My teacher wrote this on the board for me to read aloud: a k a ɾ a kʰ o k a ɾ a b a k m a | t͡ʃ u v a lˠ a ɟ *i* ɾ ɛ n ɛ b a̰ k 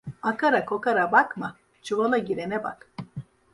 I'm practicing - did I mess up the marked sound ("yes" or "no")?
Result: no